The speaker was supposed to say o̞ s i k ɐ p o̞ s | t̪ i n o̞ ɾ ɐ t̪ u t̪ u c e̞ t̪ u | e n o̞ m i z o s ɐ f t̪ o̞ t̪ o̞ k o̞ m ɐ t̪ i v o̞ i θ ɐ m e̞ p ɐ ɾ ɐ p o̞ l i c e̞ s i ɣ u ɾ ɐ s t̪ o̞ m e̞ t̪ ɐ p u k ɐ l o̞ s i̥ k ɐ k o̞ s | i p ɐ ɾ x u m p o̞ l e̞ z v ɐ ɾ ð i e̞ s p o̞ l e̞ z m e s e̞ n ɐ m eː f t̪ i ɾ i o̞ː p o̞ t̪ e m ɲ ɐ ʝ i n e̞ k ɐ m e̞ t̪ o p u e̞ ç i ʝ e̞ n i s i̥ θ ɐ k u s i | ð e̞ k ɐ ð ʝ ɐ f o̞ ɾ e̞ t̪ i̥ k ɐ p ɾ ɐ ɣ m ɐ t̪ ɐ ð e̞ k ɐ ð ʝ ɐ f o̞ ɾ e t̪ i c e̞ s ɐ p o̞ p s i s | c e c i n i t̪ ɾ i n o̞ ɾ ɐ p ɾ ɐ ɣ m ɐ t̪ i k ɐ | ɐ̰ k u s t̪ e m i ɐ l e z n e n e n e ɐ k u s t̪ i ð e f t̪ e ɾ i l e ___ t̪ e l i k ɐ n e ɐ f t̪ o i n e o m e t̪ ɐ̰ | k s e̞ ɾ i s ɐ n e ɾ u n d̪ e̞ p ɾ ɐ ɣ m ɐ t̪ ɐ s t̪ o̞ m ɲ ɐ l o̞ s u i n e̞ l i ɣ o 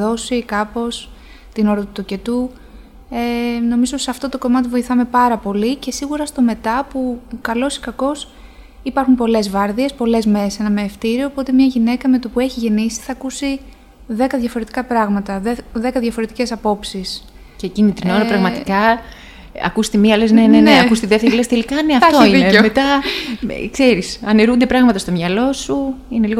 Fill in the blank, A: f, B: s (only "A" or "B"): B